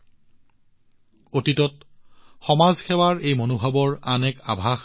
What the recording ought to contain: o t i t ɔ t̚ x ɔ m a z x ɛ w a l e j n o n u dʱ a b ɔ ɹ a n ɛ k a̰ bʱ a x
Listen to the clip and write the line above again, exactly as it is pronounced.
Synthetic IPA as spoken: o t i t ɔ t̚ x ɔ m a z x ɛ w a ɹ e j m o n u bʱ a b ɔ ɹ a n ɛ k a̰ bʱ a x